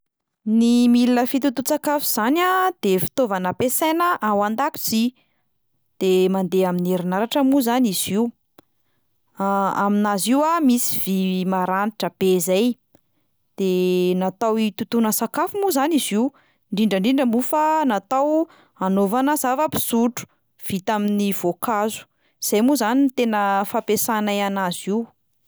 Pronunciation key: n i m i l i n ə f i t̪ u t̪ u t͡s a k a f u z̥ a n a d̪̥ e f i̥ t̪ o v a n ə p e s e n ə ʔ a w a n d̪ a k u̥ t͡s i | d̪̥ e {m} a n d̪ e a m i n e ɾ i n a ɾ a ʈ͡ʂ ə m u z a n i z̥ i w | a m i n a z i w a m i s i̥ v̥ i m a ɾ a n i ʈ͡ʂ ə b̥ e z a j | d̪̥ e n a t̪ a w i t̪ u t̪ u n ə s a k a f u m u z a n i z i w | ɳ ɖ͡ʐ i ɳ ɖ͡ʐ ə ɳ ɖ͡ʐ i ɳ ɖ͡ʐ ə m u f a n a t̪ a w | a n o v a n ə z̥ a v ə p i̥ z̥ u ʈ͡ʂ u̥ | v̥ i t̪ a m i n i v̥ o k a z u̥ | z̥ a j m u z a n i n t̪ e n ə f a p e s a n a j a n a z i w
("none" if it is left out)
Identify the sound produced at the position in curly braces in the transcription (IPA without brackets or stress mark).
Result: m